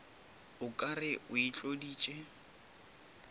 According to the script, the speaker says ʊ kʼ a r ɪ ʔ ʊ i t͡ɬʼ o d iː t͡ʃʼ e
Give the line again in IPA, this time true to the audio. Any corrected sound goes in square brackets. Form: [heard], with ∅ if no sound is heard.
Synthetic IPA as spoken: ʊ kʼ a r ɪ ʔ ʊ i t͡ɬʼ o d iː t͡ʃʼ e